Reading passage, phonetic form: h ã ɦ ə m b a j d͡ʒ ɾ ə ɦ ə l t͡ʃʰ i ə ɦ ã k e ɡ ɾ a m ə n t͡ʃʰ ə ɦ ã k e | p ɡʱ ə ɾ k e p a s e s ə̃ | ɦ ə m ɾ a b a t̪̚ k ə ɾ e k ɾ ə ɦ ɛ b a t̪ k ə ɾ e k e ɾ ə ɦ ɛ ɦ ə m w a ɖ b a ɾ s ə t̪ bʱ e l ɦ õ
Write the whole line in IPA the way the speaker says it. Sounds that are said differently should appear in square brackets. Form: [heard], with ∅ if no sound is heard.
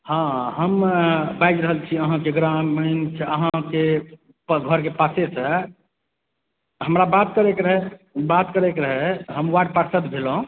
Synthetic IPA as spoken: h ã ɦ ə m b a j d͡ʒ ɾ ə ɦ ə l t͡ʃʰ i ə ɦ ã k e ɡ ɾ a m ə n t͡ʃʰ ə ɦ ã k e | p ɡʱ ə ɾ k e p a s e s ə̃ | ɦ ə m ɾ a b a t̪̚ k ə ɾ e k ɾ ə ɦ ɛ b a t̪ k ə ɾ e k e ɾ ə ɦ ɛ ɦ ə m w a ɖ [p] a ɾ s ə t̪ bʱ e l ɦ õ

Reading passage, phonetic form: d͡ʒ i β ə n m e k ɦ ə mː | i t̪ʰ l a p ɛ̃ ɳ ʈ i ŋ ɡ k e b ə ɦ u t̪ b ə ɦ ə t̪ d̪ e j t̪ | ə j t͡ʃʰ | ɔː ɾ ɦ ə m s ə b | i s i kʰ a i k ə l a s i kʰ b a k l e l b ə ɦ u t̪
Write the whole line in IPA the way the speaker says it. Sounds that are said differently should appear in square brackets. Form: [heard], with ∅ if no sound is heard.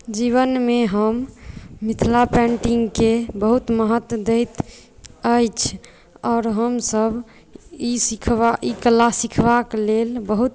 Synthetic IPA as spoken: d͡ʒ i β ə n m e [∅] ɦ ə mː | i t̪ʰ l a p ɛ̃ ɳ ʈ i ŋ ɡ k e b ə ɦ u t̪ [m] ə ɦ ə t̪ d̪ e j t̪ | ə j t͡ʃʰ | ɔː ɾ ɦ ə m s ə b | i s i kʰ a i k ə l a s i kʰ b a k l e l b ə ɦ u t̪

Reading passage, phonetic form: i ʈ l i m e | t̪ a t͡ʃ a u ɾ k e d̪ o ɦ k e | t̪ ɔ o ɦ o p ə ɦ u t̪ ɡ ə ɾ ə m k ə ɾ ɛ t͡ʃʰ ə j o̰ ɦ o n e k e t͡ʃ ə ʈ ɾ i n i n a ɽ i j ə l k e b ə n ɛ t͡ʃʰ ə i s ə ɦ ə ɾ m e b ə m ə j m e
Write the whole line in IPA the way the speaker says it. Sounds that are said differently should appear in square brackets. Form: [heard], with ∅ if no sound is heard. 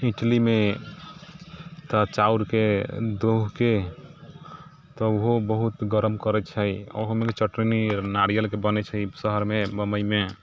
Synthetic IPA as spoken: i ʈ l i m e | t̪ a t͡ʃ a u ɾ k e d̪ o ɦ k e | t̪ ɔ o ɦ o [b] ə ɦ u t̪ ɡ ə ɾ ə m k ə ɾ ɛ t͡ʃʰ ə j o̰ ɦ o [m] e k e t͡ʃ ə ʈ ɾ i n i n a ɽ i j ə l k e b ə n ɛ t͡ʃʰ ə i s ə ɦ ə ɾ m e b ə m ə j m e

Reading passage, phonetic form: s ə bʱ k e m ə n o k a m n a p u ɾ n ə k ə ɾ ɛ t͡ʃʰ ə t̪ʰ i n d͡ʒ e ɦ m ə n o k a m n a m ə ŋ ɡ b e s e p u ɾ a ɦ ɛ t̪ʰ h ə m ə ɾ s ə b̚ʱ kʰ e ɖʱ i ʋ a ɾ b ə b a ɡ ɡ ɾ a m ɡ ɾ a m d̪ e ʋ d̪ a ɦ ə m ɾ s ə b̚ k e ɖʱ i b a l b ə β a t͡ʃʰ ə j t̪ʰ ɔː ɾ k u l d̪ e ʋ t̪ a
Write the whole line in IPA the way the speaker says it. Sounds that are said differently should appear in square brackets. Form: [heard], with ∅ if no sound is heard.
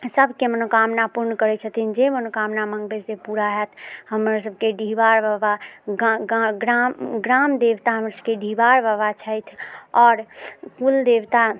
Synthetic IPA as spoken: s ə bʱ k e m ə n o k a m n a p u ɾ n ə k ə ɾ ɛ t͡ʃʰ ə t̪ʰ i n d͡ʒ e [∅] m ə n o k a m n a m ə ŋ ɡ b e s e p u ɾ a ɦ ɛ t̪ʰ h ə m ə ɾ s ə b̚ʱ [k] e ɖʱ i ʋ a ɾ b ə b a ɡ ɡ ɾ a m ɡ ɾ a m d̪ e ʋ [t̪] a ɦ ə m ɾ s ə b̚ k e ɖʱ i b a [ɾ] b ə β a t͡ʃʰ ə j t̪ʰ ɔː ɾ k u l d̪ e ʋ t̪ a

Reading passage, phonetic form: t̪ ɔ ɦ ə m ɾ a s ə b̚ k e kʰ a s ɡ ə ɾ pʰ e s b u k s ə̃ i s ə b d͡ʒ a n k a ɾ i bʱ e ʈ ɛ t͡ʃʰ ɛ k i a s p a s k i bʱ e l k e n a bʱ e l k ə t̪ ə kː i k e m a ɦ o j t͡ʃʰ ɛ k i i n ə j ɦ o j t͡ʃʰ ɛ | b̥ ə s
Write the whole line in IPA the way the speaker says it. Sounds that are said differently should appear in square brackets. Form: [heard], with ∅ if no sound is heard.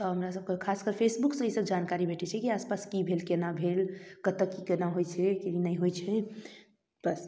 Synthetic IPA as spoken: t̪ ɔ ɦ ə m ɾ a s ə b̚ k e kʰ a s [k] ə ɾ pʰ e s b u k s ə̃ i s ə b d͡ʒ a n k a ɾ i bʱ e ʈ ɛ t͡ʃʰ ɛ k i a s p a s k i bʱ e l k e n a bʱ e l k ə t̪ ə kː i k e [n] a ɦ o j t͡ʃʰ ɛ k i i n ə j ɦ o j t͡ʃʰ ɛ | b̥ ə s

